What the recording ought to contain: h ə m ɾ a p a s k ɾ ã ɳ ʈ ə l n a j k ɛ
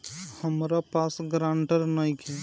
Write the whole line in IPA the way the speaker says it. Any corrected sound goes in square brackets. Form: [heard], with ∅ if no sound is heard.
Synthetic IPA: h ə m ɾ a p a s [ɡ] ɾ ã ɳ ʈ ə [ɾ] n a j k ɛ

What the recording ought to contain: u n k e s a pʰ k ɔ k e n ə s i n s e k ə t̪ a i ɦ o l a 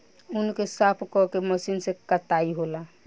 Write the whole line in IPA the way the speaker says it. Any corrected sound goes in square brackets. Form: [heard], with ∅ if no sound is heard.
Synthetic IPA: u n k e s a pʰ k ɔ k e [m] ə s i n s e k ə t̪ a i ɦ o l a

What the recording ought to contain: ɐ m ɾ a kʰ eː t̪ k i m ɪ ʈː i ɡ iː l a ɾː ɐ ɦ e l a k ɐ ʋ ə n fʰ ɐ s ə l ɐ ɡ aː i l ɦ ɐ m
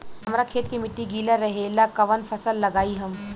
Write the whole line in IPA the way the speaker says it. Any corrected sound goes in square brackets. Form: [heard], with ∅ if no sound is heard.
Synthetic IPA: ɐ m ɾ a kʰ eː t̪ k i m ɪ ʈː i ɡ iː l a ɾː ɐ ɦ e l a k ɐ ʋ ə n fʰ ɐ s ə [lː] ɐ ɡ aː i [∅] ɦ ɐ m

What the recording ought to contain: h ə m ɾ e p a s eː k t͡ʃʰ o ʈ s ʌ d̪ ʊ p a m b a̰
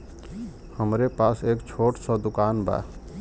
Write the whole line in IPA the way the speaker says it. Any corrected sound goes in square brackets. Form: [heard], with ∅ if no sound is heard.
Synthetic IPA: h ə m ɾ e p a s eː k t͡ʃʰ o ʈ s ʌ d̪ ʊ [k] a [n] b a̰

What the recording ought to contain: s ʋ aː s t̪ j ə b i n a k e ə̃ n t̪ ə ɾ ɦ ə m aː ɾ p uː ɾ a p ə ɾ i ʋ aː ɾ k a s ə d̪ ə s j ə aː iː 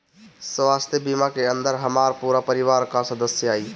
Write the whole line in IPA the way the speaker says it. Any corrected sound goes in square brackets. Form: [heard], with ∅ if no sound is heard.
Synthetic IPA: s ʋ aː s t̪ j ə b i [m] a k e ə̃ n [d̪] ə ɾ ɦ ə m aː ɾ p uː ɾ a p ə ɾ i ʋ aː ɾ k a s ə d̪ ə s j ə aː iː

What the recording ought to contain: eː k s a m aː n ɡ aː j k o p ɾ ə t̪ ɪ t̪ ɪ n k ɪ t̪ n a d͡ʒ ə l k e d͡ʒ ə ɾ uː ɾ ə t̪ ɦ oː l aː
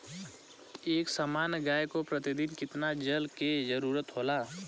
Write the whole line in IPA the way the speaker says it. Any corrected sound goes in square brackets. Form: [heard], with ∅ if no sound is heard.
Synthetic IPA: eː k s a m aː n ɡ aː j k o p ɾ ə t̪ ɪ [d̪] ɪ n k ɪ t̪ n a d͡ʒ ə l k e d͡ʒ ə ɾ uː ɾ ə t̪ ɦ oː l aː

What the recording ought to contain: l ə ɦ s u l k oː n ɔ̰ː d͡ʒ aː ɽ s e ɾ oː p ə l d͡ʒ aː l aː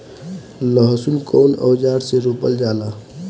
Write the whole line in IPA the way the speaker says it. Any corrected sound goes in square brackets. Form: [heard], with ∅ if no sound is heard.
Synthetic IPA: l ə ɦ s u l k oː n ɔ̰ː d͡ʒ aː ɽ s e ɾ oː p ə l d͡ʒ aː l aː

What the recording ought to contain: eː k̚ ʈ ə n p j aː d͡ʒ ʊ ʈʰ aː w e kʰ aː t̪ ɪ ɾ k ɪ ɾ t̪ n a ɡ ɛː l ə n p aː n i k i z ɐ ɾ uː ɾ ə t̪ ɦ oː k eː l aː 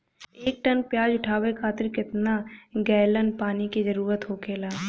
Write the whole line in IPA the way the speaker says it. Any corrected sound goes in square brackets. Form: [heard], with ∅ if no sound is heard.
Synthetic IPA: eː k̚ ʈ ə n p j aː d͡ʒ ʊ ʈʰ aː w e kʰ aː t̪ ɪ ɾ k ɪ [∅] t̪ n a ɡ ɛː l ə n p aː n i k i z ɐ ɾ uː ɾ ə t̪ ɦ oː k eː l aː

